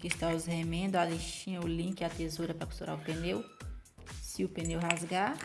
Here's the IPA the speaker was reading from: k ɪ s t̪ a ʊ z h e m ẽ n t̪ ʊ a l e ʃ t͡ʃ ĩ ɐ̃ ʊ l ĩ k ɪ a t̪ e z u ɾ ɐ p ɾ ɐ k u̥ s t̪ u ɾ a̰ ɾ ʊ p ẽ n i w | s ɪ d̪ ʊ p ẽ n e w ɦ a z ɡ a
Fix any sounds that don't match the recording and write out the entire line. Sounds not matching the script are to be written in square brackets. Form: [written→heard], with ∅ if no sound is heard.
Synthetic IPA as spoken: k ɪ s t̪ a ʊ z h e m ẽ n [t̪→d̪] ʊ a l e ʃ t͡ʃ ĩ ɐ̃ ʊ l ĩ k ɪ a t̪ e z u ɾ ɐ p ɾ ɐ k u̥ s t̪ u ɾ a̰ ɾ ʊ p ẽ n [i→e] w | s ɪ [d̪→∅] ʊ p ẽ n e w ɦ a z ɡ a